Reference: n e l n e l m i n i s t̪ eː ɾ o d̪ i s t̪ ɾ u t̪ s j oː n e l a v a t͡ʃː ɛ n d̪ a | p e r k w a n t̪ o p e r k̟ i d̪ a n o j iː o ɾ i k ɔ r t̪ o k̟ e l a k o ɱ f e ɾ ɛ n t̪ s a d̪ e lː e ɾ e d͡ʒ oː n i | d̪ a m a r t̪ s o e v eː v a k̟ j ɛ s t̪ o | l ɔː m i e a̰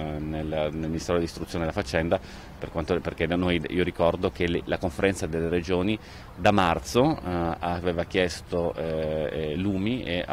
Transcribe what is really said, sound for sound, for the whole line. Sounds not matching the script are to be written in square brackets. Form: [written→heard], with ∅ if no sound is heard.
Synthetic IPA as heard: n e l n e l m i n i s t̪ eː ɾ o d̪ i s t̪ ɾ u t̪ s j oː n e l a [v→f] a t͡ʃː ɛ n d̪ a | p e r k w a n t̪ o p e r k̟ [i→e] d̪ a n o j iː o ɾ i k ɔ r [t̪→d̪] o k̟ e l a k o ɱ f e ɾ ɛ n t̪ s a d̪ e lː e ɾ e d͡ʒ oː n i | d̪ a m a r t̪ s o [e→a] v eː v a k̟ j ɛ s t̪ o | l [ɔː→uː] m i e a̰